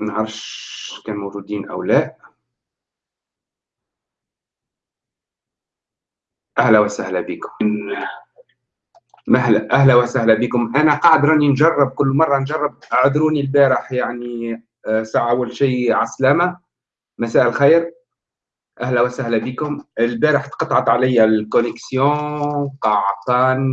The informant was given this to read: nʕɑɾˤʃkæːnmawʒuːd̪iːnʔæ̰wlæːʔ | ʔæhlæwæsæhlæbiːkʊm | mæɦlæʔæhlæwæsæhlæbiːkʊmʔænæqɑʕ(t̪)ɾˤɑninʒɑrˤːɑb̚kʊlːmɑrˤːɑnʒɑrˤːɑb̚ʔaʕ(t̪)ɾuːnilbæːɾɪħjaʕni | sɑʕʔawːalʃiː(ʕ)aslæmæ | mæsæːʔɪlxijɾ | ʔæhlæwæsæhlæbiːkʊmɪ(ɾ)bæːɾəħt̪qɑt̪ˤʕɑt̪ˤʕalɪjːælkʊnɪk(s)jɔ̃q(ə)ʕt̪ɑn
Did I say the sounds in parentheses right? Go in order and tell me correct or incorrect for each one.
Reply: incorrect, incorrect, correct, incorrect, correct, incorrect

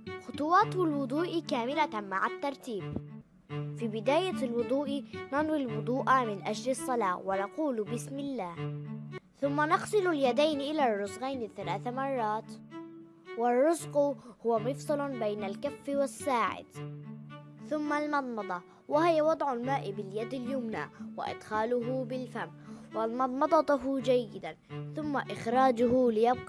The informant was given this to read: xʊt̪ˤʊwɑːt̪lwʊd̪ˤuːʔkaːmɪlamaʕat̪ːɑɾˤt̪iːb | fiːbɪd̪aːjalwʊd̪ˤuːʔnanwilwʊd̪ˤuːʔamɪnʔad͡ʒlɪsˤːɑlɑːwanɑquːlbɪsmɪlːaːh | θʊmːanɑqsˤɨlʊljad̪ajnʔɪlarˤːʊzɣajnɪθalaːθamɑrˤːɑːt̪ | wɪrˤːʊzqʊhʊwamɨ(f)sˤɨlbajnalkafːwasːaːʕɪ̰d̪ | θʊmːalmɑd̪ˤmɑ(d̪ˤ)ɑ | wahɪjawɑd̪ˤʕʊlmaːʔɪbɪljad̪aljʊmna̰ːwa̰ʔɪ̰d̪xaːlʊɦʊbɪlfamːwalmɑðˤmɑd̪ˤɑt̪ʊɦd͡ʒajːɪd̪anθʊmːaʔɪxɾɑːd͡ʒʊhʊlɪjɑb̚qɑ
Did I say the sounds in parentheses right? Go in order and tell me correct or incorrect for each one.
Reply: correct, correct

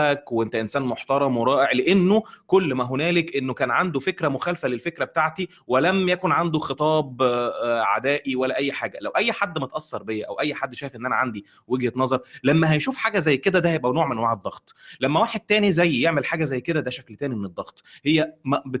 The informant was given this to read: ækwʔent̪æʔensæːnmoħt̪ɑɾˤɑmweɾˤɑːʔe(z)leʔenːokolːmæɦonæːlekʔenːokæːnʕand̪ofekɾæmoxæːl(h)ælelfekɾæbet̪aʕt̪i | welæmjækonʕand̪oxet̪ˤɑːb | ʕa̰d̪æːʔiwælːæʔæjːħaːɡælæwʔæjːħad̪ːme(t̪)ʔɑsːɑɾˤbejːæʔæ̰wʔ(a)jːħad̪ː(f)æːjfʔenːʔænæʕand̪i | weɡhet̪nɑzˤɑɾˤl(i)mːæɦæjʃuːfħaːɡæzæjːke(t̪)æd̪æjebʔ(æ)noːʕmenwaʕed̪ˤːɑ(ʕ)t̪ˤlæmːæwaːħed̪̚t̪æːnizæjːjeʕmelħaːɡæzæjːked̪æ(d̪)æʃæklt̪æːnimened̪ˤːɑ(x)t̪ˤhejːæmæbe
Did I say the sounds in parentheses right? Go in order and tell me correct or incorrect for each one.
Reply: incorrect, incorrect, correct, incorrect, incorrect, incorrect, incorrect, correct, incorrect, correct, incorrect

